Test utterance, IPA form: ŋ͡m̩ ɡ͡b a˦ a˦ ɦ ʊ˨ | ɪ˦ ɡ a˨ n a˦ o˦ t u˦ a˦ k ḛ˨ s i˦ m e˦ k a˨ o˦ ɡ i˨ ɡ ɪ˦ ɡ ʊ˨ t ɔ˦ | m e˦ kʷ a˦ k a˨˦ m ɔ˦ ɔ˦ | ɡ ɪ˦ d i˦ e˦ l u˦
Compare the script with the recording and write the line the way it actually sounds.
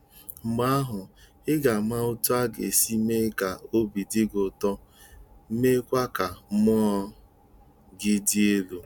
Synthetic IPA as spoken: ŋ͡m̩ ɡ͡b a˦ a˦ ɦ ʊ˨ | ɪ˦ ɡ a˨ m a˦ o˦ t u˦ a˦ ɡ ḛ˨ s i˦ m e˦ k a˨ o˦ b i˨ d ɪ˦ ɡ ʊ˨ t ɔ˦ | m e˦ kʷ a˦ k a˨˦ m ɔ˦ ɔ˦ | ɡ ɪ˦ d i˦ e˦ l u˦

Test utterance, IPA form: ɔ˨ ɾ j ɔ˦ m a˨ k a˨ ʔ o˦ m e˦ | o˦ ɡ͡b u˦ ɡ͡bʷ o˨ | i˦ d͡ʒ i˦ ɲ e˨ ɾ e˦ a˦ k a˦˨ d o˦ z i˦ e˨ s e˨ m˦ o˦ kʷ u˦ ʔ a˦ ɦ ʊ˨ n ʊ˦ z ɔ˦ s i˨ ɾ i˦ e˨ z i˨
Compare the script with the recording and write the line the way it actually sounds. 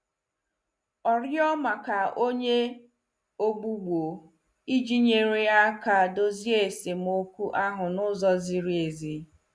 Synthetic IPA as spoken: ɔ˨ ɾ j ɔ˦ m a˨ k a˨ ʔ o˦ ɲ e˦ | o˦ ɡ͡b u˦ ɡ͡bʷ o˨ | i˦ d͡ʒ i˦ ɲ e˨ ɾ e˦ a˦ k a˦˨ d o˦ z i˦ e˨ s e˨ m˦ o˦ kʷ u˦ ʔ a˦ ɦ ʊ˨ n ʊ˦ z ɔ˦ z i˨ ɾ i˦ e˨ z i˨

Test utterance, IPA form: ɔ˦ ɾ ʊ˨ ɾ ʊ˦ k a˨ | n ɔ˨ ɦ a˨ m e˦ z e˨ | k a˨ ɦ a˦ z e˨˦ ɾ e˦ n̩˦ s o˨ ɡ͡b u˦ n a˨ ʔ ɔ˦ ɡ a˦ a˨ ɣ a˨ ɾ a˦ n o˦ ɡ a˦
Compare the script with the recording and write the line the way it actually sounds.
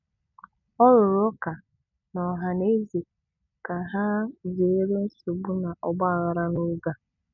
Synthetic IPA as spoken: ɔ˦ ɾ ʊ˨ ɾ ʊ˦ k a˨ | n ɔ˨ ɦ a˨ n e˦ z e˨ | k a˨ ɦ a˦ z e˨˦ ɾ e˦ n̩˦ s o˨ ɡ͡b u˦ n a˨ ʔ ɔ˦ ɡ͡b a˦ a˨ ɣ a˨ ɾ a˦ n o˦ ɡ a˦

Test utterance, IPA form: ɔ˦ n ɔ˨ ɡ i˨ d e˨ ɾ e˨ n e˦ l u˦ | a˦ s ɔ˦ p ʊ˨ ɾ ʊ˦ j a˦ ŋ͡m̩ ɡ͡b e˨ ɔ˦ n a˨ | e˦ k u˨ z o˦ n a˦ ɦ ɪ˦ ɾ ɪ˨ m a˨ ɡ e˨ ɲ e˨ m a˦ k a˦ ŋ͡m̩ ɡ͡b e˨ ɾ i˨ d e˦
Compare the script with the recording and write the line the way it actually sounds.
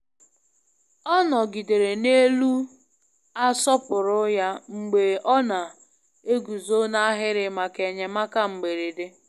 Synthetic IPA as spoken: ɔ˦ n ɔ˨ ɡ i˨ d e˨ ɾ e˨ n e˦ l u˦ | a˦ s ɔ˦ p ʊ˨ ɾ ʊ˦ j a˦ ŋ͡m̩ ɡ͡b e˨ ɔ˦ n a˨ | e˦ ɡ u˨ z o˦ n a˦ ɦ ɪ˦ ɾ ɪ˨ m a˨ k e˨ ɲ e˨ m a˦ k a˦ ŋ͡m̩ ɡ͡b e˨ ɾ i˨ d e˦

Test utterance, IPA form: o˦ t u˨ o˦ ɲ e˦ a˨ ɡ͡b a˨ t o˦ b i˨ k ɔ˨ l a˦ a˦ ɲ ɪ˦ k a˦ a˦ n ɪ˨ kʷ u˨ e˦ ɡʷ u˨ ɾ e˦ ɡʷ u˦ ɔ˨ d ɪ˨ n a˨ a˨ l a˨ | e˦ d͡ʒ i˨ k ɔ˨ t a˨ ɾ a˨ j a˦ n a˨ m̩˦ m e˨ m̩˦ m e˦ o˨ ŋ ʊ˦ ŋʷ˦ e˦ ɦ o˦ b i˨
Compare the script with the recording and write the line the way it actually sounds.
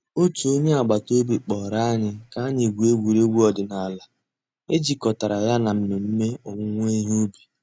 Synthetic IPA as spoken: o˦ t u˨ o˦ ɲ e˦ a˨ ɡ͡b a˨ t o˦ b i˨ k͡p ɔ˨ ɾ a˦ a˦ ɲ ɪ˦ k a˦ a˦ ɲ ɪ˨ ɡʷ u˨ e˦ ɡʷ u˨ ɾ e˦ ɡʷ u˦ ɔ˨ d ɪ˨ n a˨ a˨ l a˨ | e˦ d͡ʒ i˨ k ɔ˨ t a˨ ɾ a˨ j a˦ n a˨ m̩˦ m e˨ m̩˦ m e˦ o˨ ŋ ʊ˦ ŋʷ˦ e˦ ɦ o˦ b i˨

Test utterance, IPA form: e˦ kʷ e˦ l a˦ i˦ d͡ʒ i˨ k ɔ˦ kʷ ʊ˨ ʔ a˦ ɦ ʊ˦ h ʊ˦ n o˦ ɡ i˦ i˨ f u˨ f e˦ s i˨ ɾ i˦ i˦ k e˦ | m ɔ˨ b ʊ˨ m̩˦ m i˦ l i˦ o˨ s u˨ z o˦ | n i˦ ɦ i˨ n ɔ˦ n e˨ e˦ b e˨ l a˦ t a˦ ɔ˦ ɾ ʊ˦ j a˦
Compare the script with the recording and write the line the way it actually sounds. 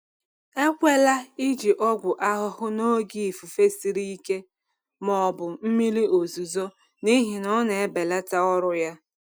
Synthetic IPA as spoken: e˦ kʷ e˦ l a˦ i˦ d͡ʒ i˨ ʔ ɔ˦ ɡʷ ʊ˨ ʔ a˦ ɦ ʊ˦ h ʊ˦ n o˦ ɡ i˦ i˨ f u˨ f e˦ s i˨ ɾ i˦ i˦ k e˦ | m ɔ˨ b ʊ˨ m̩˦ m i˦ l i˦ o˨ z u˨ z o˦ | n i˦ ɦ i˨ n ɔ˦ n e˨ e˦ b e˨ l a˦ t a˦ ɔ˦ ɾ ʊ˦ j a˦

